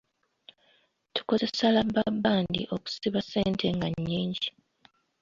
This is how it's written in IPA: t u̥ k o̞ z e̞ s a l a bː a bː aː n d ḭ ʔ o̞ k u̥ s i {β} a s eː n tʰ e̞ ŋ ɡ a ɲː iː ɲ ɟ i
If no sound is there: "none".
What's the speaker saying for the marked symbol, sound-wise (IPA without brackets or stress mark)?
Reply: β